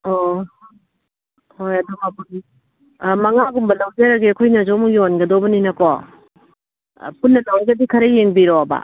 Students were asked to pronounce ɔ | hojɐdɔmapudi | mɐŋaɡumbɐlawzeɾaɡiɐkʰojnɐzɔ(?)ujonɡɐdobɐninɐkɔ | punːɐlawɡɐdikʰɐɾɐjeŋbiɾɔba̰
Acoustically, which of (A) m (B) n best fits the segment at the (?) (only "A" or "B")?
A